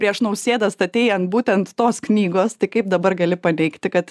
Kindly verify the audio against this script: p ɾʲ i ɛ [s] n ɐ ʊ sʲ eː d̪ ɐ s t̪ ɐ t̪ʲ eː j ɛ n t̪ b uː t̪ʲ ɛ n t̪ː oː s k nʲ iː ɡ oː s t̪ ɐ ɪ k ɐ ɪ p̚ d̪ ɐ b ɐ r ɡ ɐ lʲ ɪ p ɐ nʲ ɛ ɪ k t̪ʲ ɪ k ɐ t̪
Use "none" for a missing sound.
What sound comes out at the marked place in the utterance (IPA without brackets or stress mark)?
ʃ